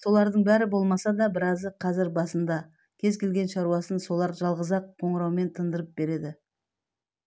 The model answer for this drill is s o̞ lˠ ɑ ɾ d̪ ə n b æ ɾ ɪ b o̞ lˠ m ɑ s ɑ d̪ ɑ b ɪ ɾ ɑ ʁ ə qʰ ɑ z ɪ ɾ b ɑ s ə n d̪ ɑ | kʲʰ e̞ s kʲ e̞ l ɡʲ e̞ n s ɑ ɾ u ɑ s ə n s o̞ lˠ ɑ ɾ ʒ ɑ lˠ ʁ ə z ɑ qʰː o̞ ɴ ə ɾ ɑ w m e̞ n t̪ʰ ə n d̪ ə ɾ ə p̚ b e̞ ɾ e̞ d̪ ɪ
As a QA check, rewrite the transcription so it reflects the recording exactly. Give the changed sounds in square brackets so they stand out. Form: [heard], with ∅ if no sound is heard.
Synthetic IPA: s o̞ lˠ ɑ ɾ d̪ ə [ɴ] b æ ɾ ɪ b o̞ lˠ m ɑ s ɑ d̪ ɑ b ɪ ɾ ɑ [z] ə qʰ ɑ z ɪ ɾ b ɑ s ə n d̪ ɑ | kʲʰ e̞ [z] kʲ e̞ l ɡʲ e̞ n [ʃ] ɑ ɾ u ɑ s ə n s o̞ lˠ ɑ ɾ ʒ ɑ lˠ ʁ ə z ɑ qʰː o̞ ɴ ə ɾ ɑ w m e̞ n t̪ʰ ə n d̪ ə ɾ ə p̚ b e̞ ɾ e̞ d̪ ɪ